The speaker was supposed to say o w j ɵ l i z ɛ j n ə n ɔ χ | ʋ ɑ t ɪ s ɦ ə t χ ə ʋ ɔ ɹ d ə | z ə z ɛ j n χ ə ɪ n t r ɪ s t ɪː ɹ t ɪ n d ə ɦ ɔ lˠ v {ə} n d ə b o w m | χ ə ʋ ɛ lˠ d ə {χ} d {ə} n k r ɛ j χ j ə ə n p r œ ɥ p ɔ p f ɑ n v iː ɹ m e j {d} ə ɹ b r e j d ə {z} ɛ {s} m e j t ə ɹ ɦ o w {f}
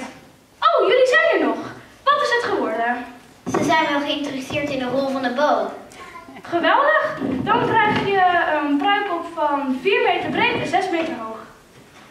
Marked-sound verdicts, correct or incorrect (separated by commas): incorrect, correct, incorrect, incorrect, correct, correct, incorrect